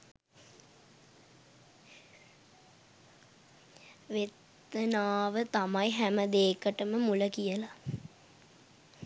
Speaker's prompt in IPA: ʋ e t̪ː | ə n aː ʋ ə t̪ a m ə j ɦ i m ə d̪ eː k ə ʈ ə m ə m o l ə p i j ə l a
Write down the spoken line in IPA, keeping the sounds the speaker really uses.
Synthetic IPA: ʋ e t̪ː | ə n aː ʋ ə t̪ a m a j ɦ æ m ə d̪ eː k ə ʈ ə m ə m u l ə k i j ə l a